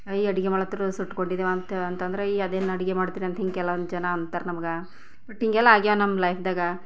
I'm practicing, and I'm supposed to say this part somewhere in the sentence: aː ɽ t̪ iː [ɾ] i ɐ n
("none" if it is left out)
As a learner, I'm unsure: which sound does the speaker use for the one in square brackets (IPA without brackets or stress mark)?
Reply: ɾ